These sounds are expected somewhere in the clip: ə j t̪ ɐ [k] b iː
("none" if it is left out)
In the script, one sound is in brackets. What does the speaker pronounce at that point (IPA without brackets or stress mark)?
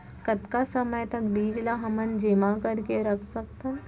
k